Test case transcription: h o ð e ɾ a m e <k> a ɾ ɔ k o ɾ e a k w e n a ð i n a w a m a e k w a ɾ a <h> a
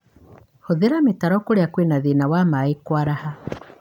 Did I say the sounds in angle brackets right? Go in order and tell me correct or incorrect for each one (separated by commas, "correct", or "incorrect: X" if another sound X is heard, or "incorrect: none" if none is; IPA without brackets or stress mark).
incorrect: t, correct